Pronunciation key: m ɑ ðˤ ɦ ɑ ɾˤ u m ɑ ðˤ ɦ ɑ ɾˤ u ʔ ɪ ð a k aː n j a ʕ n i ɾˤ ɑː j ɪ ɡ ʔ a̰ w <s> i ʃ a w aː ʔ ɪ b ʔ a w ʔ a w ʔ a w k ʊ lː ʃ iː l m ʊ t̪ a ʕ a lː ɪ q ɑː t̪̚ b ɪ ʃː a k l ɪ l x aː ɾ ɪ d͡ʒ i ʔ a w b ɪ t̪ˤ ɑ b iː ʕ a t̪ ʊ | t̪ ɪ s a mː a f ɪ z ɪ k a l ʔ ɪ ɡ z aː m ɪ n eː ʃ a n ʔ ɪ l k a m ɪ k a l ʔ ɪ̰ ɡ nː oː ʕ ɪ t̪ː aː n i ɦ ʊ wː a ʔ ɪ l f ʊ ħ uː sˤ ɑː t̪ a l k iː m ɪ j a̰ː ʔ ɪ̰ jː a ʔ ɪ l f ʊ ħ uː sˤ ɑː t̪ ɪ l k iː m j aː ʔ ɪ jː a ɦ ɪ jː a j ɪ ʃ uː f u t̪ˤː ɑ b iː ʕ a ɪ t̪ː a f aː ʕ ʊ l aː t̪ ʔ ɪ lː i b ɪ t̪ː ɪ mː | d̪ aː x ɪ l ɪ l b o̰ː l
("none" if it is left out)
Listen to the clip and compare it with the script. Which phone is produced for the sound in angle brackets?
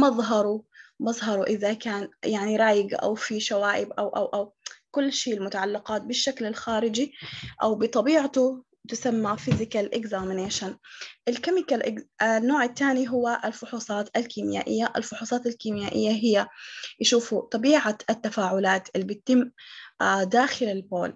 f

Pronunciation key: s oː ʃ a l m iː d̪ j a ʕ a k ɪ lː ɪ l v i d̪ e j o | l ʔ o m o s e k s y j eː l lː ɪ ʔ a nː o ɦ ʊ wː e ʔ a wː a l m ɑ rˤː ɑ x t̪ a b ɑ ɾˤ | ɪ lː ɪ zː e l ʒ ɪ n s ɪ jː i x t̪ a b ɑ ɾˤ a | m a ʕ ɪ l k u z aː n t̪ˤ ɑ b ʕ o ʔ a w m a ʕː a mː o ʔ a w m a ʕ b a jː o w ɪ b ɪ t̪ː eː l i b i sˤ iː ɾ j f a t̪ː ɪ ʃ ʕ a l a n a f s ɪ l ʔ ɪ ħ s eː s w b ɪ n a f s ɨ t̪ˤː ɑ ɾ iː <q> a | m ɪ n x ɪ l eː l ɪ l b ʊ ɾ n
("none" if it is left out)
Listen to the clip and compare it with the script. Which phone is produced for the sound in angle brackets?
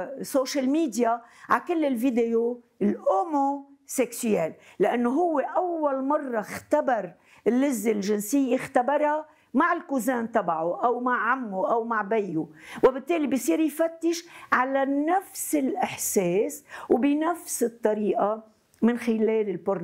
ʔ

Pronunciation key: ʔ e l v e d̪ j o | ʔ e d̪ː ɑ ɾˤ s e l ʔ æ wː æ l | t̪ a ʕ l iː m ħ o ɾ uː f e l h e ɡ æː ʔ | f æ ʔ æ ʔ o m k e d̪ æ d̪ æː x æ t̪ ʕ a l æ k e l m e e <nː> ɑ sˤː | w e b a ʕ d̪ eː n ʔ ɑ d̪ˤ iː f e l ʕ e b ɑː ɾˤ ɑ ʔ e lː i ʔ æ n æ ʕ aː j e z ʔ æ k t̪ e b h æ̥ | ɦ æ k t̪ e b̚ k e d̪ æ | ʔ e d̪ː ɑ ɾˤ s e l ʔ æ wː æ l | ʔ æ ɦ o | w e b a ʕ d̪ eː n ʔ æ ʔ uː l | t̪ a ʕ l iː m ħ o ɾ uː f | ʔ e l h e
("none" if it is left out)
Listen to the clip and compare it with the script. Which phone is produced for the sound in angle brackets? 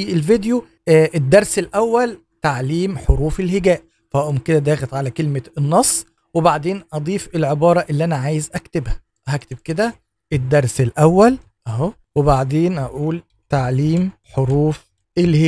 nː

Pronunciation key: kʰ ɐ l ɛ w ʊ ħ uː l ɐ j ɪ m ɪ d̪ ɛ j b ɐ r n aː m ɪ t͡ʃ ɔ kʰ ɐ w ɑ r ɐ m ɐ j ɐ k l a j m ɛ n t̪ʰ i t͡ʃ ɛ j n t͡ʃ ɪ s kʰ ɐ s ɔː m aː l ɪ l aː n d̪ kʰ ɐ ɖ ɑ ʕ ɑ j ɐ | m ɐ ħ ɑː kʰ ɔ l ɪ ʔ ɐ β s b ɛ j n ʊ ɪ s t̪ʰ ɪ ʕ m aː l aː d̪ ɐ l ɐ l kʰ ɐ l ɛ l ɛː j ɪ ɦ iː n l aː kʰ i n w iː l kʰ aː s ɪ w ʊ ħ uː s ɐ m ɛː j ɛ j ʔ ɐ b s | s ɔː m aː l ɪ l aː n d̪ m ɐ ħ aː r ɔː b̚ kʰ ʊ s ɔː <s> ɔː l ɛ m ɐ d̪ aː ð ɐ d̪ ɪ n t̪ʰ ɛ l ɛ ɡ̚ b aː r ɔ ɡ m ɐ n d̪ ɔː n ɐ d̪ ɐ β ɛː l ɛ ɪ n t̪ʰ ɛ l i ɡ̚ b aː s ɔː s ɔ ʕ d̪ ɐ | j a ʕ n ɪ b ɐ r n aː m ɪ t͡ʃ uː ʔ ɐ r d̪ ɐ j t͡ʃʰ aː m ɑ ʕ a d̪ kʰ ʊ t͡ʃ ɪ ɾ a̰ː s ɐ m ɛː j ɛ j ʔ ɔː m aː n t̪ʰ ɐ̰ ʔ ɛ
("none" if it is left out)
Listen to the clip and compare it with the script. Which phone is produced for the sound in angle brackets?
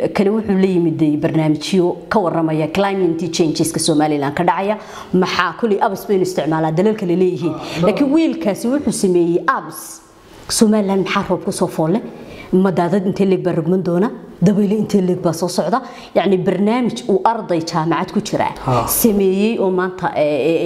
f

